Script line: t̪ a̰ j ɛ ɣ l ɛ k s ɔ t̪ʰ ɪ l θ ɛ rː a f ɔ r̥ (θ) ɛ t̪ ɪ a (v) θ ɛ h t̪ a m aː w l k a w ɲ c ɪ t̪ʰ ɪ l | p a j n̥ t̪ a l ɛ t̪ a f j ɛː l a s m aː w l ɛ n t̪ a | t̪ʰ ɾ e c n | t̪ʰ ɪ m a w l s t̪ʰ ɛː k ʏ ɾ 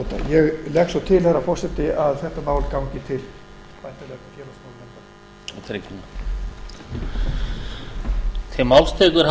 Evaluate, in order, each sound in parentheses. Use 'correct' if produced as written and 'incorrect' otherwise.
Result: incorrect: s, incorrect: ð

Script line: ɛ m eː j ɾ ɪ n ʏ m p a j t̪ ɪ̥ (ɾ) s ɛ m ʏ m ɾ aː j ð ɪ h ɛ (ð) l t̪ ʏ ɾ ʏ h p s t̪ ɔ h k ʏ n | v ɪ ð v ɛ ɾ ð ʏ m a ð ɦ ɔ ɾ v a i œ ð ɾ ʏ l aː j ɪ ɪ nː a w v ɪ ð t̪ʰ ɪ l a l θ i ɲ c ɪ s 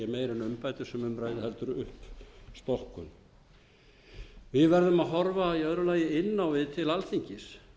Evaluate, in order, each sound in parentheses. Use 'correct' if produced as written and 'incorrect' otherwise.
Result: incorrect: none, incorrect: none

